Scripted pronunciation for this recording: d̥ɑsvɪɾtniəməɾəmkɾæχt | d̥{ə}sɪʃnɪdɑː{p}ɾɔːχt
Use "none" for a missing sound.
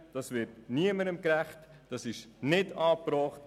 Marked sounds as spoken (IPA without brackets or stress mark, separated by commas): ɑ, p